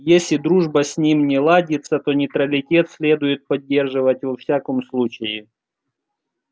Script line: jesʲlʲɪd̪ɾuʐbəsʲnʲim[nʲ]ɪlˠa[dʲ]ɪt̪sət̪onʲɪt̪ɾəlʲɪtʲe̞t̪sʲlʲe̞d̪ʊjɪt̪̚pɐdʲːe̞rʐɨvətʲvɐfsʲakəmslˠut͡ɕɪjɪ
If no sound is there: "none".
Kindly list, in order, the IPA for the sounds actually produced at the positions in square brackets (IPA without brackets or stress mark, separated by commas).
nʲ, dʲ